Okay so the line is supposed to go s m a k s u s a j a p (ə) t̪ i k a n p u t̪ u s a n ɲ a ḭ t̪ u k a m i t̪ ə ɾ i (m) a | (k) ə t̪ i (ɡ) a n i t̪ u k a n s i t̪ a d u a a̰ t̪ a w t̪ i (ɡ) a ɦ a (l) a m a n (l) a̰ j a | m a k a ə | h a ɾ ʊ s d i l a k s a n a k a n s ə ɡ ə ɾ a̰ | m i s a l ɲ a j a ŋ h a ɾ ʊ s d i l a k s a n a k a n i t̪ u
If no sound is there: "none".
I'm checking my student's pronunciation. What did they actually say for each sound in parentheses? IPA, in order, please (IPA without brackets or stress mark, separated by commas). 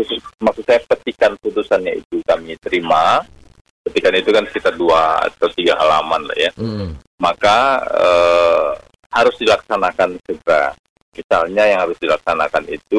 ə, m, p, k, ɡ, l, l